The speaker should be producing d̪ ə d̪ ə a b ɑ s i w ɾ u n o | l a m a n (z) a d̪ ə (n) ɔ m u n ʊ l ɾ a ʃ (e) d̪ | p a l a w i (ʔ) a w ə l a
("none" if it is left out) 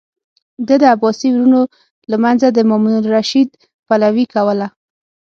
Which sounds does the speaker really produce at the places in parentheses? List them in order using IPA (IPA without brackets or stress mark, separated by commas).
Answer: z, m, i, k